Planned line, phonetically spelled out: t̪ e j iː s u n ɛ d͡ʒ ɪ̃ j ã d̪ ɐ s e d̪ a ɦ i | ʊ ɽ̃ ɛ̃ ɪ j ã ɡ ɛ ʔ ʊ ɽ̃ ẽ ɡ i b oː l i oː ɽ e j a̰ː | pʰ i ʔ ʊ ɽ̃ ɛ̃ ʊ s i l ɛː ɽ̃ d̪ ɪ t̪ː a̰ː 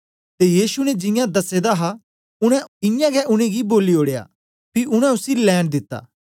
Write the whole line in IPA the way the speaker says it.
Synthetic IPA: t̪ e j iː s u n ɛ d͡ʒ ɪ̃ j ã d̪ ɐ s e d̪ a ɦ a | ʊ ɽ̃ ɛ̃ ɪ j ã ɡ ɛ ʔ ʊ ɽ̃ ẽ ɡ i b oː l i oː ɽ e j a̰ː | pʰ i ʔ ʊ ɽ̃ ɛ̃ ʊ s i l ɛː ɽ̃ d̪ ɪ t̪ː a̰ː

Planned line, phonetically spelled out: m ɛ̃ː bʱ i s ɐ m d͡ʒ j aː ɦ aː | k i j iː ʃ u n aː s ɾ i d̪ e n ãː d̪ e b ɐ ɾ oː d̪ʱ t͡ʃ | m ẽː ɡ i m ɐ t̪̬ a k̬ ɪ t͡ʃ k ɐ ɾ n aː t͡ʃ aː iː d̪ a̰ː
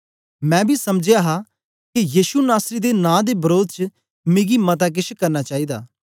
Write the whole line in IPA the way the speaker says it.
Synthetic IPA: m ɛ̃ː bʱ i s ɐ m d͡ʒ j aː ɦ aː | k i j iː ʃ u n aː s ɾ i d̪ e n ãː d̪ e b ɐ ɾ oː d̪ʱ t͡ʃ | m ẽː ɡ i m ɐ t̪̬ a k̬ ɪ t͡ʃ k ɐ ɾ n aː t͡ʃ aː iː d̪ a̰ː

